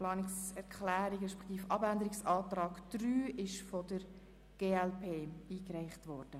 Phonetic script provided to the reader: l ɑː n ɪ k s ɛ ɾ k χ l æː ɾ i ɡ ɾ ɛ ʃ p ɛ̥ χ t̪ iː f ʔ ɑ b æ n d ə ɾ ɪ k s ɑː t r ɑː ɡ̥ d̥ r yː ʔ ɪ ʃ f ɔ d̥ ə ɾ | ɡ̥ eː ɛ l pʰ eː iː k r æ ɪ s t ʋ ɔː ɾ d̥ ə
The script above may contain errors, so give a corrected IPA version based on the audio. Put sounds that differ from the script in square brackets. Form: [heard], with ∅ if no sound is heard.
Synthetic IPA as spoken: l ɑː n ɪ k s ɛ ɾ k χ l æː ɾ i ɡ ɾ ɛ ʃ p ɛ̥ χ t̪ iː f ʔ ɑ b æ n d ə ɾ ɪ k s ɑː t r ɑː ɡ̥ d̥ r yː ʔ ɪ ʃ f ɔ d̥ ə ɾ | ɡ̥ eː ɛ l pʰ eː iː k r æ ɪ [χ] t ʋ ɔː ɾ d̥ ə